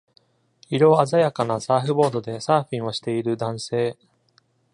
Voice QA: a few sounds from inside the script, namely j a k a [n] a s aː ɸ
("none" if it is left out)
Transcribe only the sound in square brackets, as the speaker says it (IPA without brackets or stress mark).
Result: n